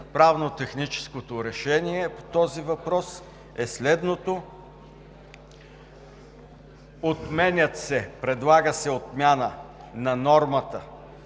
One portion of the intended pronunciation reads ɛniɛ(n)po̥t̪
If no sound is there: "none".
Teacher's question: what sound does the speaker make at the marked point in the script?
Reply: none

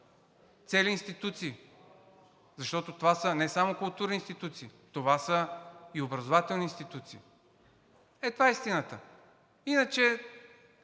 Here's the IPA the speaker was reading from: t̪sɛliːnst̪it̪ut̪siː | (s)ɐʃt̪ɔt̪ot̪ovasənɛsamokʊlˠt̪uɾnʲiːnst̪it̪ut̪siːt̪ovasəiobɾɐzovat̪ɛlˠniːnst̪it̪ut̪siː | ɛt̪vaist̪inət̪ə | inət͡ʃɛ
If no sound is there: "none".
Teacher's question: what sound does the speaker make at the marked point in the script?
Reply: z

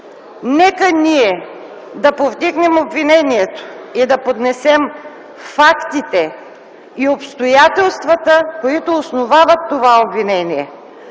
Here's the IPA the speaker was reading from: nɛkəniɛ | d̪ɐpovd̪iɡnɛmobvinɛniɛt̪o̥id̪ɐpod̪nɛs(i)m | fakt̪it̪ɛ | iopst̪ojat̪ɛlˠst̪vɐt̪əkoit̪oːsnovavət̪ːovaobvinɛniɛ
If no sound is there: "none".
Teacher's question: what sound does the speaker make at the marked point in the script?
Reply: ɛ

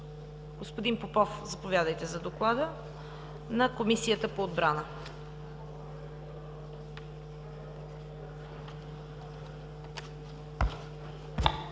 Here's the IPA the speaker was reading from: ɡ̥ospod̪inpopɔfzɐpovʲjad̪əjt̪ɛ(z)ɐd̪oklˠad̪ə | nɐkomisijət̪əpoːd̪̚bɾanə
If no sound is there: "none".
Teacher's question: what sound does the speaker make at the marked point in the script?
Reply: z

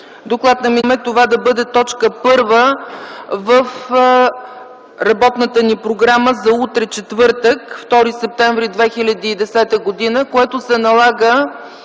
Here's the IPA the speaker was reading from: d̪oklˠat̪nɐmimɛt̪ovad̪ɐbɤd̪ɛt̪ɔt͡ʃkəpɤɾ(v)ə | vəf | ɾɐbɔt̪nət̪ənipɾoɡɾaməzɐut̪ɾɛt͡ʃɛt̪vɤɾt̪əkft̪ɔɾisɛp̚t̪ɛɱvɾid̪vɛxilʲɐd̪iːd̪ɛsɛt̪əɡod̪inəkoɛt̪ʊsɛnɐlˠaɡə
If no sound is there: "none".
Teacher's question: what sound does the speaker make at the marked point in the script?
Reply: v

